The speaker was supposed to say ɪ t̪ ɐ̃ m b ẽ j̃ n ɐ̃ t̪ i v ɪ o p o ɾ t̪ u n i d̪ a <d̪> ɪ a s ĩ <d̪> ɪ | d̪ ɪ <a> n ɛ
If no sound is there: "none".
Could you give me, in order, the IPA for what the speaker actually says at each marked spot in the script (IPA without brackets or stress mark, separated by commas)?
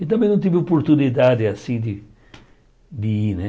d̪, d̪, i